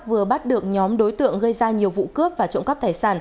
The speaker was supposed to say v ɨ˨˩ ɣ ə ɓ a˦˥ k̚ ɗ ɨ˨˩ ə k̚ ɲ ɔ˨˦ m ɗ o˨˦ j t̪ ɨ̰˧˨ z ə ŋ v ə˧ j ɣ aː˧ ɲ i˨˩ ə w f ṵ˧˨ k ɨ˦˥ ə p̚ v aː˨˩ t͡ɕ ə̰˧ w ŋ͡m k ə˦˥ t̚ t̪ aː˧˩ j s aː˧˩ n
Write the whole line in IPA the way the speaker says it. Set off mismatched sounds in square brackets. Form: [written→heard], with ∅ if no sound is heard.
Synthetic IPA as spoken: v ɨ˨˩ [ɣ→∅] ə ɓ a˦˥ [k̚→t̚] ɗ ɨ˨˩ ə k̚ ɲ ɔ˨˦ m ɗ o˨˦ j t̪ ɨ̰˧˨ [z→∅] ə ŋ [v→ɣ] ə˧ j [ɣ→z] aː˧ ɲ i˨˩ ə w [f→v] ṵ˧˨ k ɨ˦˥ ə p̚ v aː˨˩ t͡ɕ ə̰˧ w ŋ͡m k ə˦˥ [t̚→p̚] t̪ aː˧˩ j s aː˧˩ n